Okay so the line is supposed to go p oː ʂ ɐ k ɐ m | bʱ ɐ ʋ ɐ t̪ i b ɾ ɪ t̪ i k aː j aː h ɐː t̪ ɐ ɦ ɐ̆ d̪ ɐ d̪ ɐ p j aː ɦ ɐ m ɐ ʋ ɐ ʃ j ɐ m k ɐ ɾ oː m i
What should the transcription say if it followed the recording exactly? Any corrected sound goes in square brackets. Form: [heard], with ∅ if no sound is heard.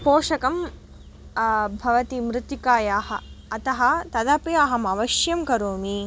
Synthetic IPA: p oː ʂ ɐ k ɐ m | bʱ ɐ ʋ ɐ t̪ i [m] ɾ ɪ t̪ i k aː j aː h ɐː t̪ ɐ ɦ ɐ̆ [t̪] ɐ d̪ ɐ p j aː ɦ ɐ m ɐ ʋ ɐ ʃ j ɐ m k ɐ ɾ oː m i